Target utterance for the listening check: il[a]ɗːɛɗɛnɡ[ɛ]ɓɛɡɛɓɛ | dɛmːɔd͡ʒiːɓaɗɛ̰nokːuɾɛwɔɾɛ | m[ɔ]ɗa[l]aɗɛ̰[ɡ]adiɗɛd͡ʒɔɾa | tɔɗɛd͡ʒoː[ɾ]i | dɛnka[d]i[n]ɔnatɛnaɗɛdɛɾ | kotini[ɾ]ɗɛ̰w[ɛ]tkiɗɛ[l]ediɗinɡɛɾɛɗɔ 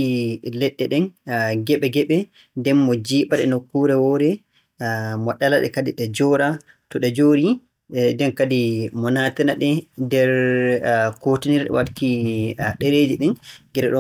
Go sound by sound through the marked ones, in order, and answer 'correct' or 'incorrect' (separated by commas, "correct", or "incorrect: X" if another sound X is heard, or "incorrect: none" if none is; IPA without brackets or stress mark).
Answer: incorrect: ɛ, correct, correct, correct, incorrect: k, correct, correct, incorrect: m, correct, incorrect: a, incorrect: ɾ